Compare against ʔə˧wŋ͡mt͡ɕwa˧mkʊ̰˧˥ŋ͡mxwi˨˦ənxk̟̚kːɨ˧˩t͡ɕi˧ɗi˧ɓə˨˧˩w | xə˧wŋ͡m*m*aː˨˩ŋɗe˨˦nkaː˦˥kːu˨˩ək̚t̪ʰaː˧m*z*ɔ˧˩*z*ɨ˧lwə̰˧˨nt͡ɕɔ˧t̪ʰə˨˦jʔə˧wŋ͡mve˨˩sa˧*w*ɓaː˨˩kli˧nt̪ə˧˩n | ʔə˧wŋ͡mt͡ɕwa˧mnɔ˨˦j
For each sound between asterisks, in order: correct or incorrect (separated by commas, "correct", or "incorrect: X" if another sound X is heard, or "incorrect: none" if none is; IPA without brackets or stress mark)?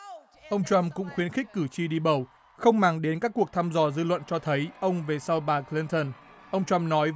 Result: correct, correct, correct, correct